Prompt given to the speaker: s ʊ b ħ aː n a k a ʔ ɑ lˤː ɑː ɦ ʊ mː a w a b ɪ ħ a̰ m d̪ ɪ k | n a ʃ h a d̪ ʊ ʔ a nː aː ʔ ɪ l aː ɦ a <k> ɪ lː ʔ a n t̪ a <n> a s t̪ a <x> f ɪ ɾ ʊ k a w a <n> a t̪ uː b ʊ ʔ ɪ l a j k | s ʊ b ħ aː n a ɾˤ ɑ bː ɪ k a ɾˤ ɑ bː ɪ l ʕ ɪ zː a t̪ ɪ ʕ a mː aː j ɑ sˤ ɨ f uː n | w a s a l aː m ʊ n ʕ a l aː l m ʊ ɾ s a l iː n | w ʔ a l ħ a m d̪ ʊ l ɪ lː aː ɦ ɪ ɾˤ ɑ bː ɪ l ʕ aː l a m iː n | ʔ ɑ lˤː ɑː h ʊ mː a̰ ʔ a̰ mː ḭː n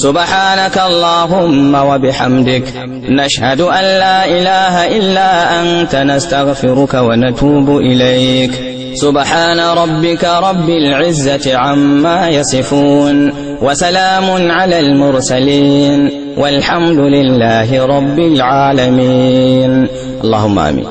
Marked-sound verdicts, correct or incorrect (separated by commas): incorrect, correct, incorrect, correct